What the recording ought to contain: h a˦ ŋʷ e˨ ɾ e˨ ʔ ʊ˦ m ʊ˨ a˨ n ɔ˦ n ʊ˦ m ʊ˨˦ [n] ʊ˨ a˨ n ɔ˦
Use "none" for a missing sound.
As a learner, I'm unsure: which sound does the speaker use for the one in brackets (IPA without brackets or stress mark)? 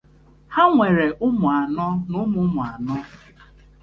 m